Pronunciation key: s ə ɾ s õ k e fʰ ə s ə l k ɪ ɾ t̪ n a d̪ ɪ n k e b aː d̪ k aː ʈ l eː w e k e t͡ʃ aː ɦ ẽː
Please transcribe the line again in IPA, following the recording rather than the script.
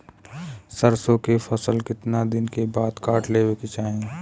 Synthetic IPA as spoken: s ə ɾ s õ k e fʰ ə s ə l k ɪ t̪ n a d̪ ɪ n k e b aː d̪ k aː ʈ l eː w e k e t͡ʃ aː ɦ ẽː